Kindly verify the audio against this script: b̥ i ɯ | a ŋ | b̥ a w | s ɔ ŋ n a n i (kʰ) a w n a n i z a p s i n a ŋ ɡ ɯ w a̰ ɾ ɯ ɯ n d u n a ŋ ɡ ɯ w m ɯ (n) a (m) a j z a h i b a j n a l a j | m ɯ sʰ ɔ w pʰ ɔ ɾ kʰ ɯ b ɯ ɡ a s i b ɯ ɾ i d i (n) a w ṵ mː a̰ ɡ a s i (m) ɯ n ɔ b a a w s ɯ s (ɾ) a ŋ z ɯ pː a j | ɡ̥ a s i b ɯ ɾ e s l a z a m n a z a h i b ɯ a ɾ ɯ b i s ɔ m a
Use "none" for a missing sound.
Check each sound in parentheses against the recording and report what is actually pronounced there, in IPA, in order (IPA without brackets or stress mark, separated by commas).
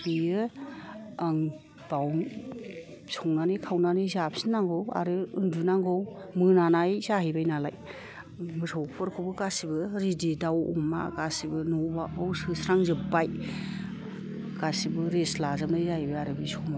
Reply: kʰ, n, n, d, b, ɾ